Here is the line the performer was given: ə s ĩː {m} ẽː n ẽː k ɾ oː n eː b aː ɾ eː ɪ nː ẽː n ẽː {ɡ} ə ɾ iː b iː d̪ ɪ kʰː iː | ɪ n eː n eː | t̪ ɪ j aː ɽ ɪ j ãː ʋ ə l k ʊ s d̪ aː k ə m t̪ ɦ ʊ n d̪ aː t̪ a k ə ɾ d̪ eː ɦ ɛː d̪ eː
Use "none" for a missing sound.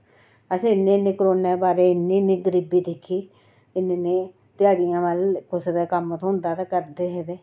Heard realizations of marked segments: n, ɡ

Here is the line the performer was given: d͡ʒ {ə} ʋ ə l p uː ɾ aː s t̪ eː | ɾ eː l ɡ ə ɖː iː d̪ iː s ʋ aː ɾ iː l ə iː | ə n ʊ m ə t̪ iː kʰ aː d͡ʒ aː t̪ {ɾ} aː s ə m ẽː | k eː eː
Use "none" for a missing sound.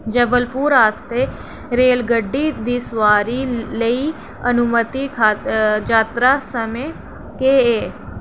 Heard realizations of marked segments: ə, ɾ

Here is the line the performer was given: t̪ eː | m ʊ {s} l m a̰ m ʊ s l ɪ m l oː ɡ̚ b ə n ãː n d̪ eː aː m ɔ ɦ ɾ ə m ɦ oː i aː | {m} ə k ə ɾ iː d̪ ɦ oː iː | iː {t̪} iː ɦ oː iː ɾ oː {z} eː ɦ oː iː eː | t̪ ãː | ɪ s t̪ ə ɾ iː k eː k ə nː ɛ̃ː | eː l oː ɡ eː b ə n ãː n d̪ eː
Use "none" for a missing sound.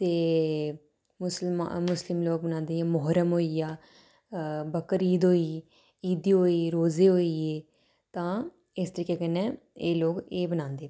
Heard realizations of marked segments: s, b, d̪, z

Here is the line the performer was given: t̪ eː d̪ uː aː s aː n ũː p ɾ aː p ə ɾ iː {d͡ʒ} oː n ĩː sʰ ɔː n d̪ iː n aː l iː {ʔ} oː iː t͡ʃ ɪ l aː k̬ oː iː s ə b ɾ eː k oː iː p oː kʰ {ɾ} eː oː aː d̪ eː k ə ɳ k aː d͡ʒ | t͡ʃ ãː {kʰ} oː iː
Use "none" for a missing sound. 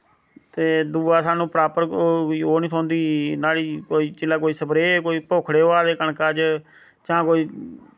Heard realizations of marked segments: none, k, ɽ, k

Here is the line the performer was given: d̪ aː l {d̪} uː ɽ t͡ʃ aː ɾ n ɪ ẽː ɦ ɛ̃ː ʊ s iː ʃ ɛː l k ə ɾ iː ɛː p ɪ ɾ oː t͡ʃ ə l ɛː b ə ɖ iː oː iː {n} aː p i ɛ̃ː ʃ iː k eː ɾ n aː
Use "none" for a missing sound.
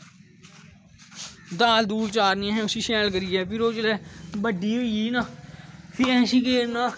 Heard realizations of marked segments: d̪, n

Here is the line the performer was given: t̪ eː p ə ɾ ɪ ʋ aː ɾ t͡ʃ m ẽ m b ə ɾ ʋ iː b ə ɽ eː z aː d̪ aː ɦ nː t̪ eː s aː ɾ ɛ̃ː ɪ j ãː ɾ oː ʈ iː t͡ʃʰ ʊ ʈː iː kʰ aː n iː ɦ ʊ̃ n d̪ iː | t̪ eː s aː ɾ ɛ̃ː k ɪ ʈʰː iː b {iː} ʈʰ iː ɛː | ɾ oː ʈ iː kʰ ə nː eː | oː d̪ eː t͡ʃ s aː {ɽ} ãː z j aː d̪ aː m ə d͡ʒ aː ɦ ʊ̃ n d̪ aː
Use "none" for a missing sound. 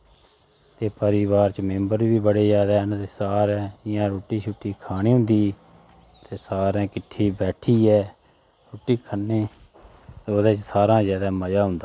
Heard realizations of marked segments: ɛː, ɾ

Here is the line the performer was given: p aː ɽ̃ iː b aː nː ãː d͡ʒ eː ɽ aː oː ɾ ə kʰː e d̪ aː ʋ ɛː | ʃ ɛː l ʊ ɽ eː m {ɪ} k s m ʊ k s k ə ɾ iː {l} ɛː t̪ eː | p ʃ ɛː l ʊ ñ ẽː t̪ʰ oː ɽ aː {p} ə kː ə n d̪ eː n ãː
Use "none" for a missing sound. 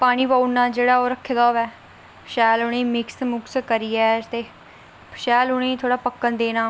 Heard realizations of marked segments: ɪ, none, p

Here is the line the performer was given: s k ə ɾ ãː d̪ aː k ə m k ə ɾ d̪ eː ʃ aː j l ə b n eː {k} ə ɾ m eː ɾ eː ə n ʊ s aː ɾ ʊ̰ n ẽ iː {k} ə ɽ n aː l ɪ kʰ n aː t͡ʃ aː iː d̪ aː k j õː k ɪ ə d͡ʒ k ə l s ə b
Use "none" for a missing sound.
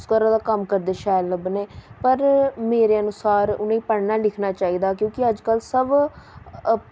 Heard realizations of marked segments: p, p

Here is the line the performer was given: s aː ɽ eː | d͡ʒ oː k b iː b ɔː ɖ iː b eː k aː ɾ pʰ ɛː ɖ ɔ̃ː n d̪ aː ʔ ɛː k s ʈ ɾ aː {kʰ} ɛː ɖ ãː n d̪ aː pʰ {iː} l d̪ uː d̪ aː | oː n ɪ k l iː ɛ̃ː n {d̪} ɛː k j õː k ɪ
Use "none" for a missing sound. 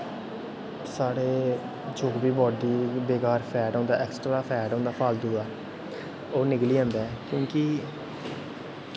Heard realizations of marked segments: pʰ, aː, d̪

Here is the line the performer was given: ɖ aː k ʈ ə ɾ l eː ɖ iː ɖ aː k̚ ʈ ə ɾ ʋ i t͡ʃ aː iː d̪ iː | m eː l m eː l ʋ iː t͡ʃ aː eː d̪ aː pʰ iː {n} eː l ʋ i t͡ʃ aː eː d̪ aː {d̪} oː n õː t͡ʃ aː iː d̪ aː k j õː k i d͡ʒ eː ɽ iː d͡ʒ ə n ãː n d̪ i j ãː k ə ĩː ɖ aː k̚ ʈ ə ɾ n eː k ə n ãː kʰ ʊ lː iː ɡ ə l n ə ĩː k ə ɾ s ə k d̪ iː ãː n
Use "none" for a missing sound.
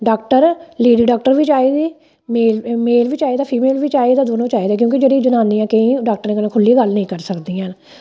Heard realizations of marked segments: m, d̪

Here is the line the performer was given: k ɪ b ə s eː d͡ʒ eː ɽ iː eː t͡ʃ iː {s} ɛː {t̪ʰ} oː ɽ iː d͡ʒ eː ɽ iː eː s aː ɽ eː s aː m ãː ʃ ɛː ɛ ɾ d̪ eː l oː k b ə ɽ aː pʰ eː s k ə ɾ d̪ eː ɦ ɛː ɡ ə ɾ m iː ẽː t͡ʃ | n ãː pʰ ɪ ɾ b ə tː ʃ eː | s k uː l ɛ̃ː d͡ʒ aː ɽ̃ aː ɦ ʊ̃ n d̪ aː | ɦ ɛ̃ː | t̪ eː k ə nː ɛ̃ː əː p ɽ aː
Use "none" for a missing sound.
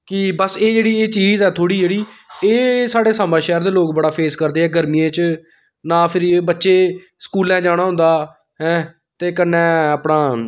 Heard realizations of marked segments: z, t̪ʰ

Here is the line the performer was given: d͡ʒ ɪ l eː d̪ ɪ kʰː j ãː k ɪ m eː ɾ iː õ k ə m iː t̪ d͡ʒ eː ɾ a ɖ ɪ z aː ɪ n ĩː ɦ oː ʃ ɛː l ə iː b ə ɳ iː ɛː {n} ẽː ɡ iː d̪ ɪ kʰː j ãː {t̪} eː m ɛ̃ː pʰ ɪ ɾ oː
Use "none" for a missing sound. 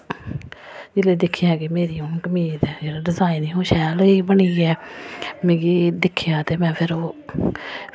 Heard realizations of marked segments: m, t̪

